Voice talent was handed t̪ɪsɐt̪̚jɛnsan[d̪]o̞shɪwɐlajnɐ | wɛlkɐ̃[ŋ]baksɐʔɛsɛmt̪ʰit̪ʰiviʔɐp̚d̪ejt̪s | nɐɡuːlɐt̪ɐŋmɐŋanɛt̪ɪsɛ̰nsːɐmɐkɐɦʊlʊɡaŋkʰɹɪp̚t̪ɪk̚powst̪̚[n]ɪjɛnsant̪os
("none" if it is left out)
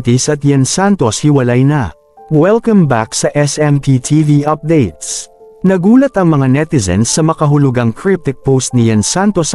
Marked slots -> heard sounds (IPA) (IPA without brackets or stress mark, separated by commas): t̪, m, n